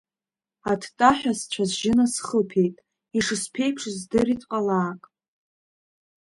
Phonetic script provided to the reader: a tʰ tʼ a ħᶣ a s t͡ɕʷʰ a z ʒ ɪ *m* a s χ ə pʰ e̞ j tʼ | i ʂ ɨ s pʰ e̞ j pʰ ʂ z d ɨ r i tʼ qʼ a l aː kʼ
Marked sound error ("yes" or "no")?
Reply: yes